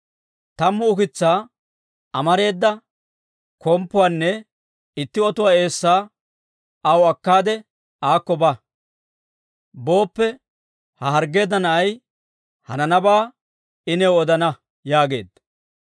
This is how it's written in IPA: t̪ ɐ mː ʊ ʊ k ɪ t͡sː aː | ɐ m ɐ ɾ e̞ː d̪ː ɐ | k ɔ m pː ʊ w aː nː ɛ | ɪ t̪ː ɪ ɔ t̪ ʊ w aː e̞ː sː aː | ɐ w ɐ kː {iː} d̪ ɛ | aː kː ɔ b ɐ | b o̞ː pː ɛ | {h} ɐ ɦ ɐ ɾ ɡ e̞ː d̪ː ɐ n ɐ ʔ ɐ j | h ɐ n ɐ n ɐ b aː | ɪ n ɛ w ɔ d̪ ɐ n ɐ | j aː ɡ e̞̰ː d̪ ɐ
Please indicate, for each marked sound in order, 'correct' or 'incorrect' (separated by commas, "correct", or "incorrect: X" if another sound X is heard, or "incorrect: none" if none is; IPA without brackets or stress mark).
incorrect: aː, correct